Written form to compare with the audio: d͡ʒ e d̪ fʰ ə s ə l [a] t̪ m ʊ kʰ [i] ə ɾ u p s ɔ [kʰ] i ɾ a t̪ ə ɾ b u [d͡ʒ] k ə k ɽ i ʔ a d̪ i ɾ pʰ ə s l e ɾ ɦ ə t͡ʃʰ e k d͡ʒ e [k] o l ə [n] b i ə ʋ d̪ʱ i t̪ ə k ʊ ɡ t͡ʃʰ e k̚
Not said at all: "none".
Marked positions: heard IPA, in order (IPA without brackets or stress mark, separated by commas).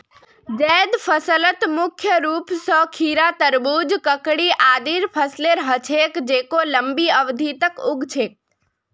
ə, j, kʰ, d͡ʒ, k, m